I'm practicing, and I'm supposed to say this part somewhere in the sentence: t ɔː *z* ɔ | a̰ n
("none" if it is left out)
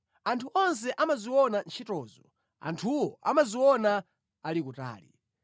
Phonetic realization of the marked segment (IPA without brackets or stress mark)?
z